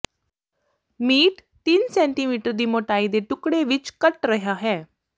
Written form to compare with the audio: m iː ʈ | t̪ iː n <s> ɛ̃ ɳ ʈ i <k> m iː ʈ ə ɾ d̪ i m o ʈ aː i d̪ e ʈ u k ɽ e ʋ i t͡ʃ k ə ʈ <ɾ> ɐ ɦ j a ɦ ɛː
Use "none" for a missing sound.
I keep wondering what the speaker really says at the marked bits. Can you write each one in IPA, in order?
s, none, ɾ

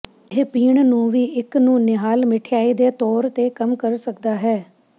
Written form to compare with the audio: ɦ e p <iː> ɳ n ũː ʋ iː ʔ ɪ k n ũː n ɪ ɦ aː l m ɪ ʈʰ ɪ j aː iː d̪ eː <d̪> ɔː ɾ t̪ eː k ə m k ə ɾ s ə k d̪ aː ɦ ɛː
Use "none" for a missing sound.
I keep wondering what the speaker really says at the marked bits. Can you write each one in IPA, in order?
iː, t̪

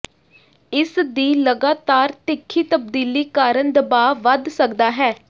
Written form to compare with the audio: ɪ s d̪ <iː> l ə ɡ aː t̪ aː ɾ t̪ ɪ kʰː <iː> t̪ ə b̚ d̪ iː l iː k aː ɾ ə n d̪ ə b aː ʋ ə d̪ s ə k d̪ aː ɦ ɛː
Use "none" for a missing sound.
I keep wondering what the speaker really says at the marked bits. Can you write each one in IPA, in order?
iː, iː

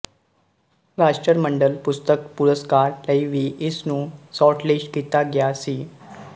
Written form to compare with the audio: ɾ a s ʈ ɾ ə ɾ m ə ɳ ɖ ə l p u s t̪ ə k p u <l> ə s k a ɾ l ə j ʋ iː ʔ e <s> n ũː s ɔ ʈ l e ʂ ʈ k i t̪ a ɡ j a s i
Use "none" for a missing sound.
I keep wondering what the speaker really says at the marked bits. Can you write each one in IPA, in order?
ɾ, s

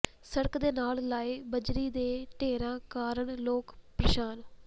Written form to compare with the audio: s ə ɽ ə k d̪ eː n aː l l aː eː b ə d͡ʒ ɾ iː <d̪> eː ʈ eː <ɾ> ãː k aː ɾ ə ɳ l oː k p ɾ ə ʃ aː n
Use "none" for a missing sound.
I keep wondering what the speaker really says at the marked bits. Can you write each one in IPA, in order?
d̪, ɾ

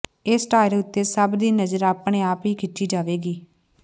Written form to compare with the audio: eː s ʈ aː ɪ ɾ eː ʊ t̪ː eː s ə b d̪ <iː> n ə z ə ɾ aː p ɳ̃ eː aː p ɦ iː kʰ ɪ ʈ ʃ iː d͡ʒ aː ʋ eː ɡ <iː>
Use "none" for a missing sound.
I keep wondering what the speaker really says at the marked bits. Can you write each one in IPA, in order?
iː, iː

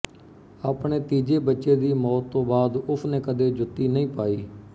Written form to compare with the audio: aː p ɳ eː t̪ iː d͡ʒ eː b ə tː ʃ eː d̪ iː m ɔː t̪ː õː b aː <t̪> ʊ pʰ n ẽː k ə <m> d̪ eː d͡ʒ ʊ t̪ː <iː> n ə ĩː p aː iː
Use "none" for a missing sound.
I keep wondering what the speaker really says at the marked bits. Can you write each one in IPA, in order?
d̪, none, iː

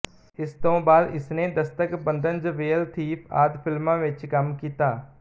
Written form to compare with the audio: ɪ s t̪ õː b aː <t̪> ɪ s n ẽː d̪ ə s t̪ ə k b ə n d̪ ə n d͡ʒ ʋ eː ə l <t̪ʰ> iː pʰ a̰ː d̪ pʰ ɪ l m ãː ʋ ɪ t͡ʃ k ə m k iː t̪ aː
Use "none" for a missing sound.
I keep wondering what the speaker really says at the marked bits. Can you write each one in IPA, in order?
d̪, t̪ʰ

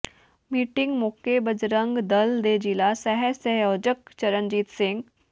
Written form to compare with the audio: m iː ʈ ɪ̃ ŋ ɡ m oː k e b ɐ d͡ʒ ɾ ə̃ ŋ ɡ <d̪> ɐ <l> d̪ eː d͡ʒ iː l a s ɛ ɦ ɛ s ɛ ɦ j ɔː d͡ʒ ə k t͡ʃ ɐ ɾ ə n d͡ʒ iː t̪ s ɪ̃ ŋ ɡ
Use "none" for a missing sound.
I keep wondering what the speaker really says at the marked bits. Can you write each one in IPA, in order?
d̪, l

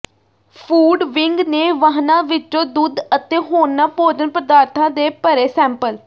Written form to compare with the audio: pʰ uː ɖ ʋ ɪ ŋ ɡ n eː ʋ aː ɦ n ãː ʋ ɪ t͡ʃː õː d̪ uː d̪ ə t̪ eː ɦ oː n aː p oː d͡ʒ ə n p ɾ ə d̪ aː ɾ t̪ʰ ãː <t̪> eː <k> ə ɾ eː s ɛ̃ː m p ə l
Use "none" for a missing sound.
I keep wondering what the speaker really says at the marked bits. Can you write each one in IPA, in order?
d̪, p

